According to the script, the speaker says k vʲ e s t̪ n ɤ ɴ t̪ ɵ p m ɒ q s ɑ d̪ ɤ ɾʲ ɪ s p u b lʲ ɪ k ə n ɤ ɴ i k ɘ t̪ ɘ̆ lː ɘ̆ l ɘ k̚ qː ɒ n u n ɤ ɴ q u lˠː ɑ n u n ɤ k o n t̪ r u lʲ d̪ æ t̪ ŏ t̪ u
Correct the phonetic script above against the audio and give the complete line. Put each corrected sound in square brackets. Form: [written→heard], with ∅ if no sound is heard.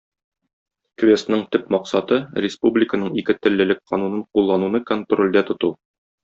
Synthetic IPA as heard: k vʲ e s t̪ n ɤ ɴ t̪ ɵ p m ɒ q s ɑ [d̪→t̪] ɤ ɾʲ ɪ s p u b lʲ ɪ k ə n ɤ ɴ i k ɘ t̪ ɘ̆ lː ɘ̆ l ɘ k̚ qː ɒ n u n ɤ ɴ q u lˠː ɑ n u n ɤ k o n t̪ r [u→o] lʲ d̪ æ t̪ ŏ t̪ u

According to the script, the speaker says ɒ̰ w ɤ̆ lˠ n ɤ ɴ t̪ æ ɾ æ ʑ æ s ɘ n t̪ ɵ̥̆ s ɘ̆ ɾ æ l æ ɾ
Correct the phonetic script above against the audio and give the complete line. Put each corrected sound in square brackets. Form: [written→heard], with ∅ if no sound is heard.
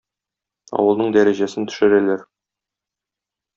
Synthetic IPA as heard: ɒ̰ w ɤ̆ lˠ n ɤ ɴ [t̪→d̪] æ ɾ æ ʑ æ s ɘ n t̪ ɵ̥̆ [s→ʃ] ɘ̆ ɾ æ l æ ɾ

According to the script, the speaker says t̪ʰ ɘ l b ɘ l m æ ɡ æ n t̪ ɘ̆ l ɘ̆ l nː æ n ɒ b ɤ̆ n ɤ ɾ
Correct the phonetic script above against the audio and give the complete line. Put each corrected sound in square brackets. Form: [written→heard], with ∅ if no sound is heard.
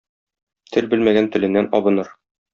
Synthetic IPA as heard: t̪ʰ ɘ l b ɘ l m æ ɡ æ n t̪ ɘ̆ l ɘ̆ [l→∅] nː æ n ɒ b ɤ̆ n ɤ ɾ

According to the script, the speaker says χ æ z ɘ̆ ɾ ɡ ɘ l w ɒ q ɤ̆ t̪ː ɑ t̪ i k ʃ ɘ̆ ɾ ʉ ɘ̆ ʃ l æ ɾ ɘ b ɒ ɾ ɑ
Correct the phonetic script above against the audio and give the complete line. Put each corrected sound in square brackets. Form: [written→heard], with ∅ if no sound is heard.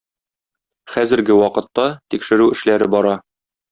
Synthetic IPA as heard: χ æ z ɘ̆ ɾ ɡ ɘ [l→∅] w ɒ q ɤ̆ t̪ː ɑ t̪ i k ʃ ɘ̆ ɾ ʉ ɘ̆ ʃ l æ ɾ ɘ b ɒ ɾ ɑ

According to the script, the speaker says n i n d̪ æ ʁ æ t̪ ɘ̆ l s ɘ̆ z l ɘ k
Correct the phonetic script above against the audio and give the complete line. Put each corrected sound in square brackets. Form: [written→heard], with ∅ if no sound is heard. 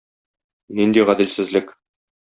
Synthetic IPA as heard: n i n d̪ [æ→i] ʁ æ [t̪→d̪] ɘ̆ l s ɘ̆ z l ɘ k

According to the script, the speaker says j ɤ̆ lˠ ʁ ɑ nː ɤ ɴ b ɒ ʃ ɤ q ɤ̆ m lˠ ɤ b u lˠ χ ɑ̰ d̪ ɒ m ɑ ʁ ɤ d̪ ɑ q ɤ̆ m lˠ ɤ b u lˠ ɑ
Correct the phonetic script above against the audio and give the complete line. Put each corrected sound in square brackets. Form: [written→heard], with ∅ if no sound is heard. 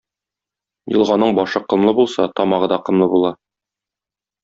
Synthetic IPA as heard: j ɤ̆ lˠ ʁ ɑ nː ɤ ɴ b ɒ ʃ ɤ q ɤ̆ m lˠ ɤ b u lˠ [χ→s] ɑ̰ [d̪→t̪] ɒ m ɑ ʁ ɤ d̪ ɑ q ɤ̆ m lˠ ɤ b u lˠ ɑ

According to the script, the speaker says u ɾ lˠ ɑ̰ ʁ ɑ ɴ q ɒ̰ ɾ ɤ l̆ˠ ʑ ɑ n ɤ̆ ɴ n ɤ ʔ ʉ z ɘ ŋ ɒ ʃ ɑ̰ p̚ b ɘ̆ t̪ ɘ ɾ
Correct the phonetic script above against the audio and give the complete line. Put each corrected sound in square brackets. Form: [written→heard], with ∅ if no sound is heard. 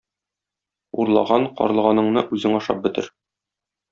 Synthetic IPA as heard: u ɾ lˠ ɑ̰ ʁ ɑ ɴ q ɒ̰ ɾ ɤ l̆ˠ [ʑ→ʁ] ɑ n ɤ̆ ɴ n ɤ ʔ ʉ z ɘ ŋ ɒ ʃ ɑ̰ p̚ b ɘ̆ t̪ ɘ ɾ

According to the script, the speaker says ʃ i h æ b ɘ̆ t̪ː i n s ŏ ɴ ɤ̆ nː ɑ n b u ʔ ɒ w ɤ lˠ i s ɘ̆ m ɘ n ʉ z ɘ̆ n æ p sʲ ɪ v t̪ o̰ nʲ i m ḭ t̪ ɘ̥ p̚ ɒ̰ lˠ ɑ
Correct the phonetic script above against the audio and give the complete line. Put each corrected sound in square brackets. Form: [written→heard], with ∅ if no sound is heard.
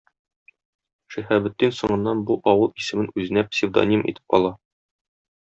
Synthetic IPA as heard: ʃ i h æ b ɘ̆ t̪ː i n s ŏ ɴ ɤ̆ nː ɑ n b u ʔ ɒ w ɤ lˠ i s ɘ̆ m ɘ n ʉ z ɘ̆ n æ p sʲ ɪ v [t̪→d̪] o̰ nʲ i m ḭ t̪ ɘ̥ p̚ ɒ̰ lˠ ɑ

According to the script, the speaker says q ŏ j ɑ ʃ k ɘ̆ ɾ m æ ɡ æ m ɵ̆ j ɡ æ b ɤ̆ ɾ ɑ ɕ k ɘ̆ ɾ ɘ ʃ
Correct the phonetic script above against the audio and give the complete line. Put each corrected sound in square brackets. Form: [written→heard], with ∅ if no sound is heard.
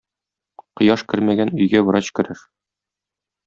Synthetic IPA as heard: q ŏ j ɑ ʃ k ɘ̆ ɾ m æ ɡ æ [m→n] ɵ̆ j ɡ æ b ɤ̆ ɾ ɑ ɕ k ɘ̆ ɾ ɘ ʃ

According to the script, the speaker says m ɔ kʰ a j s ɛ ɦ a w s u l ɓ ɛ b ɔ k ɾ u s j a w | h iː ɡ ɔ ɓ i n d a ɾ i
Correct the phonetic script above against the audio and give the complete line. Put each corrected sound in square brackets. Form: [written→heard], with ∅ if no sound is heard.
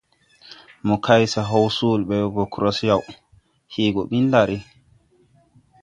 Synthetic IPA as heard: m ɔ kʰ a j s [ɛ→a] ɦ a w s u l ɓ ɛ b ɔ k ɾ [u→ɔ] s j a w | h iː ɡ ɔ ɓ i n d a ɾ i

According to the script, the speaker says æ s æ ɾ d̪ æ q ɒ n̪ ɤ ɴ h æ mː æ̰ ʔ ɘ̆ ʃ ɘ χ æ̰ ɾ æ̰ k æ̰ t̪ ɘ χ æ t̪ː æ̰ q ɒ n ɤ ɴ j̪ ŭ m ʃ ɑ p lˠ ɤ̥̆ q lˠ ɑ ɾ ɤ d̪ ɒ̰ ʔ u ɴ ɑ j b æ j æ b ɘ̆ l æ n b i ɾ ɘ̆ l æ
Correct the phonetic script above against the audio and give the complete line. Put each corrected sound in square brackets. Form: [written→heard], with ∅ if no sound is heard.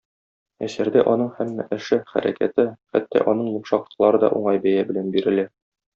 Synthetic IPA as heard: æ s æ ɾ d̪ æ [q→ʔ] ɒ n̪ ɤ ɴ h æ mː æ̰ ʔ ɘ̆ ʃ ɘ χ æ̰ ɾ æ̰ k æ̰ t̪ ɘ χ æ t̪ː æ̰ [q→ʔ] ɒ n ɤ ɴ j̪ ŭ m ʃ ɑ [p→q] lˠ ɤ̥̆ q lˠ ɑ ɾ ɤ d̪ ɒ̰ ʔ u ɴ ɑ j b æ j æ b ɘ̆ l æ n b i ɾ ɘ̆ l æ

